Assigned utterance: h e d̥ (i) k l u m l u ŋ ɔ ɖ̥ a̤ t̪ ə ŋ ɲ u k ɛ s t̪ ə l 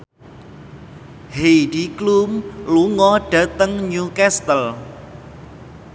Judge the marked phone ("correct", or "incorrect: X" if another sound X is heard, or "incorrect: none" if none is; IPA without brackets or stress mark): correct